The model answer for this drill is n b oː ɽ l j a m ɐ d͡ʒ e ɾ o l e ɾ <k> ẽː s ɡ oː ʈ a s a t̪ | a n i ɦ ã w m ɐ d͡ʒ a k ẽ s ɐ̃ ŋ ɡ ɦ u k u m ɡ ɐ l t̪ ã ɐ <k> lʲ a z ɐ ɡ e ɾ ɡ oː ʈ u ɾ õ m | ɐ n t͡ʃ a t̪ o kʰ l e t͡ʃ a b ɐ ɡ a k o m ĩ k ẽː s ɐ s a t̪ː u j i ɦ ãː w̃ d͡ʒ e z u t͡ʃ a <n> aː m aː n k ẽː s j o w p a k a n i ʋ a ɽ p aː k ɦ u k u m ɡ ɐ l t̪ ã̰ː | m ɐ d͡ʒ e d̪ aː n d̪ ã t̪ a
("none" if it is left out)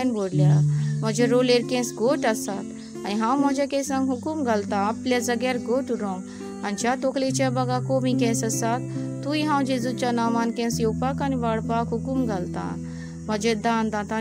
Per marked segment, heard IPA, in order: k, p, n

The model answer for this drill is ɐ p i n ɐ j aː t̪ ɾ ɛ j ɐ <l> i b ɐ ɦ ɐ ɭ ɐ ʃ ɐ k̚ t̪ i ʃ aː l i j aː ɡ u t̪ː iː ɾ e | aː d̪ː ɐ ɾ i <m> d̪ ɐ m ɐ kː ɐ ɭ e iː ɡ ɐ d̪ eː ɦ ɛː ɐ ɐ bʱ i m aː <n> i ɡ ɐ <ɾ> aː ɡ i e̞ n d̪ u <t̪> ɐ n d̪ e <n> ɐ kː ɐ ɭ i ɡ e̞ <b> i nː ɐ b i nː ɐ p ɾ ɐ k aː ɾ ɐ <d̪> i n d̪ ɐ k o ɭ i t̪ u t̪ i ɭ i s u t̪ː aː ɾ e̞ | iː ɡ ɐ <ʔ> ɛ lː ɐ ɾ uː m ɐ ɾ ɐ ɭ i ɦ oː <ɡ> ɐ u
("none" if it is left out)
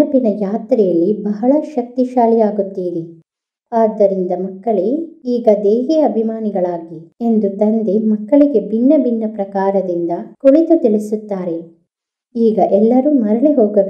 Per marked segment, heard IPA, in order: lː, n, n, ɭ, t̪, m, b, d̪, ʔ, ɡ

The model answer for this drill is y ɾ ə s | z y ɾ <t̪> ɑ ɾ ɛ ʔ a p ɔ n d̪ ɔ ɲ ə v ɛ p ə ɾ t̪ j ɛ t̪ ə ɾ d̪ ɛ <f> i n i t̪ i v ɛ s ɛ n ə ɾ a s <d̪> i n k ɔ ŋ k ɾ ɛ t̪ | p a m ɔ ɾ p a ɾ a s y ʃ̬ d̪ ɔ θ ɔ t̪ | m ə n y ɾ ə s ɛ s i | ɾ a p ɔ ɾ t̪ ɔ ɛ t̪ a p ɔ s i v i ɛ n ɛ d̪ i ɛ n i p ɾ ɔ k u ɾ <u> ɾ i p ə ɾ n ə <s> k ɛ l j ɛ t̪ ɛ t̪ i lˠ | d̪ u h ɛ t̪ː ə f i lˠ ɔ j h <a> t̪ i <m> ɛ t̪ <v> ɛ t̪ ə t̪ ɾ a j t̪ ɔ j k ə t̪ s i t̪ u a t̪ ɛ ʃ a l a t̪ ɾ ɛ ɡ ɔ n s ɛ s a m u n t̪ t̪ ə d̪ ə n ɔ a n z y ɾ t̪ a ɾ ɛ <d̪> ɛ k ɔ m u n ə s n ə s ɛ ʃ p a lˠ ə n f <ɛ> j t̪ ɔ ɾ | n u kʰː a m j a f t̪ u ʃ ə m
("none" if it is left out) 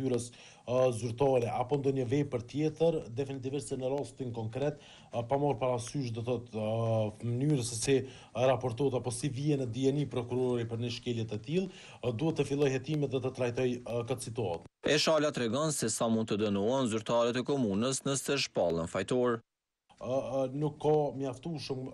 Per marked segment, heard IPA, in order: t̪, f, t̪, ɔ, ʃ, ɛ, m, ð, t̪, a

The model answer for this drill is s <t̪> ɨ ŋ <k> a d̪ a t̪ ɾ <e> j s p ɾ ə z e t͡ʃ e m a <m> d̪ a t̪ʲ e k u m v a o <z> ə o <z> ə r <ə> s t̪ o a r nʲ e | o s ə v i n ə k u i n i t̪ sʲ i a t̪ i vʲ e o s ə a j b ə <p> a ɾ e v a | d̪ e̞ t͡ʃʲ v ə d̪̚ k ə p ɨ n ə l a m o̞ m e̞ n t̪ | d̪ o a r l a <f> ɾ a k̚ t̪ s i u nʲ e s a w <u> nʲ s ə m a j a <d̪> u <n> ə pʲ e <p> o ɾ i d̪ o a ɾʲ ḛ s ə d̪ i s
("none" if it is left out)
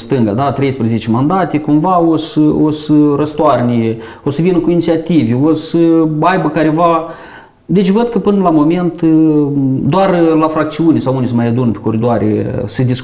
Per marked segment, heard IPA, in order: t̪, ɡ, e, n, s, s, ə, k, f, u, d̪, n, k

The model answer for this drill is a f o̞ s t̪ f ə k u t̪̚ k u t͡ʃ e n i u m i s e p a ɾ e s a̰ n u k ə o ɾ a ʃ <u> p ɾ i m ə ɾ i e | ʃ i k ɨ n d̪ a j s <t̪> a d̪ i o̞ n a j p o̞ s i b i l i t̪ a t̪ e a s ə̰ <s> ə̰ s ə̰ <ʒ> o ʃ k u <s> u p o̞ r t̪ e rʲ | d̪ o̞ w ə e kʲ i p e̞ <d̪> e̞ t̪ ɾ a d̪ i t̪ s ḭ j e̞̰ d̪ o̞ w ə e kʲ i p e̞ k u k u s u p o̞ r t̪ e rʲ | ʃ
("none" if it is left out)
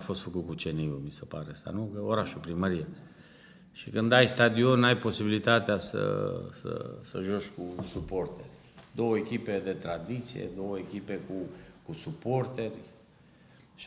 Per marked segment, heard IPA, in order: u, t̪, s, ʒ, s, d̪

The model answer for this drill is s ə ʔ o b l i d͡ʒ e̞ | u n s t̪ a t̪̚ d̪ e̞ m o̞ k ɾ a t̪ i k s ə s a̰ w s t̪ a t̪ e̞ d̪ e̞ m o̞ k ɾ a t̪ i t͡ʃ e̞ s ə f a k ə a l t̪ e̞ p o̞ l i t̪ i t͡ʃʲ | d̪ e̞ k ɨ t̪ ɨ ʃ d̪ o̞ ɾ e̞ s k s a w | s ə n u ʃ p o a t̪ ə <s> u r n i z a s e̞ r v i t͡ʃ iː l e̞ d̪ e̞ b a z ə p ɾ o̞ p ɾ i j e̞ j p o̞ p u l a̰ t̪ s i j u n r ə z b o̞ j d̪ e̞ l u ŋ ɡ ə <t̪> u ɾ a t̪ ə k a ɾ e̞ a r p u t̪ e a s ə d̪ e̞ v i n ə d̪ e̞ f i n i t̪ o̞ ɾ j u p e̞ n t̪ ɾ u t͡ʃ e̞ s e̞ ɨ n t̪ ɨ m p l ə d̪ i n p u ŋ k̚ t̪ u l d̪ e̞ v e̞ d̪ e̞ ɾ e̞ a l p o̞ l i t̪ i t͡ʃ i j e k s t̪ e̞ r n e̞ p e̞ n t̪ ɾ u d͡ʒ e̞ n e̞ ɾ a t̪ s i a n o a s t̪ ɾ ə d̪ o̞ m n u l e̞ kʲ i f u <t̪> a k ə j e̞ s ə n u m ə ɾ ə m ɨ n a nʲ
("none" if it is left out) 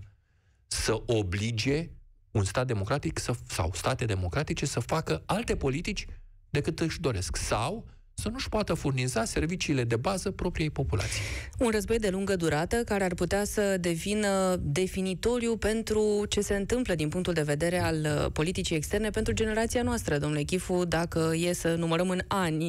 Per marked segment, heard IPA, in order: f, d̪, d̪

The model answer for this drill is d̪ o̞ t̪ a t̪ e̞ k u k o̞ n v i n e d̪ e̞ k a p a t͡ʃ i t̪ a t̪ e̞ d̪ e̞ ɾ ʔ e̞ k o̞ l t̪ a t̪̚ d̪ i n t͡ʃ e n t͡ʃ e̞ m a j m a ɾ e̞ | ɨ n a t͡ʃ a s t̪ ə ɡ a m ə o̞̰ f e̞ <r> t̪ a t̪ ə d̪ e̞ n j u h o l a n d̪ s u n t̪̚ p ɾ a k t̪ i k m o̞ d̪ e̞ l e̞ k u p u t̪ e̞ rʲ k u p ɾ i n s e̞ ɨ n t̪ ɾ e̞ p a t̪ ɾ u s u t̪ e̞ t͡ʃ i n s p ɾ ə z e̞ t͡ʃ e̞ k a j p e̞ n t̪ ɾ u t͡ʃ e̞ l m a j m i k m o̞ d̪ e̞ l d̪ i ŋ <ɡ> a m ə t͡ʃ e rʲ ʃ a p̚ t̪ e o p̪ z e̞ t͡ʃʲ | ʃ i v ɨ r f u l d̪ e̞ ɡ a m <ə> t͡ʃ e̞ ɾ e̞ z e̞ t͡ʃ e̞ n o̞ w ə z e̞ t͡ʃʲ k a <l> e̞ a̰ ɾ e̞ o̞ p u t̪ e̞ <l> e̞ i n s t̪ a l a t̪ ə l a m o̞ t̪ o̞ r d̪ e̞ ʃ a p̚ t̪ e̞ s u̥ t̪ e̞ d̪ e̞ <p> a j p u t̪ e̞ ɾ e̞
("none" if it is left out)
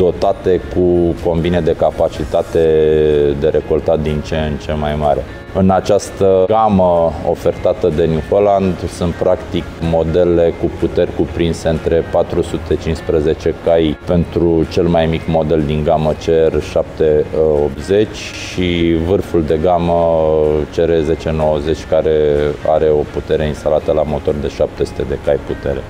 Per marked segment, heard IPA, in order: r, ɡ, ə, ɾ, ɾ, k

